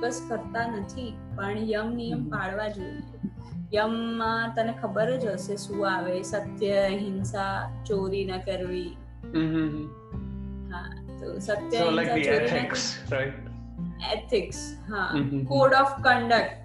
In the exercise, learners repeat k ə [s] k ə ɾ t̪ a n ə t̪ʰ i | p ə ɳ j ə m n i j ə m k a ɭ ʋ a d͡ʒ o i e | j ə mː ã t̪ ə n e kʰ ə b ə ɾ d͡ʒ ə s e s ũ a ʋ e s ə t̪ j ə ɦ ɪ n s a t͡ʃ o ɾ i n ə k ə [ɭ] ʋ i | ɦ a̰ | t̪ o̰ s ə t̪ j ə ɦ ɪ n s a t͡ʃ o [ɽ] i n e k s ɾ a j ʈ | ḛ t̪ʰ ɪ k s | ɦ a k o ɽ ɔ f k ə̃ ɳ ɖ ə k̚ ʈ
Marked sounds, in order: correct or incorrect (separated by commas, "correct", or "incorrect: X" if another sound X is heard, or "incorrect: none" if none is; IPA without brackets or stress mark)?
correct, incorrect: ɾ, incorrect: ɾ